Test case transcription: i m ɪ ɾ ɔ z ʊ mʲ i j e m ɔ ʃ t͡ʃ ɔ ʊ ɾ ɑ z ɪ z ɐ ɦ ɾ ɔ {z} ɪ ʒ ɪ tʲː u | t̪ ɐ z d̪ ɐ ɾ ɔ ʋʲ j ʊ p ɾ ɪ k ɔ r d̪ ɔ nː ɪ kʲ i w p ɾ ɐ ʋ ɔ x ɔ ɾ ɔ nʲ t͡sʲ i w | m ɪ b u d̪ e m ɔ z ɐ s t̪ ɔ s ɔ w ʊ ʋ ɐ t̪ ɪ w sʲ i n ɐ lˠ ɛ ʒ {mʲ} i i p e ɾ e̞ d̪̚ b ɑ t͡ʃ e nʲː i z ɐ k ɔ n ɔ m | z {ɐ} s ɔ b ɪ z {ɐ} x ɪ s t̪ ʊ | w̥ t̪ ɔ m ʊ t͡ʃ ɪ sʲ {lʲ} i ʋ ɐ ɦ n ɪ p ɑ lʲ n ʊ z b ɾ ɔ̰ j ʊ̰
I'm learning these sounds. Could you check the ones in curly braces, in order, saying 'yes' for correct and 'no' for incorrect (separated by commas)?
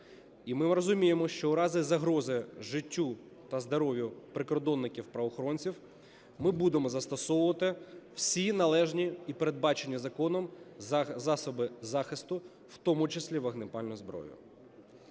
yes, no, no, no, yes